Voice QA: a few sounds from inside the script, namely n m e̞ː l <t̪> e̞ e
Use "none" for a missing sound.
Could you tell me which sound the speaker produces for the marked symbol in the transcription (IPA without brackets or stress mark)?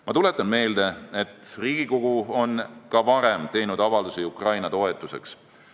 d̪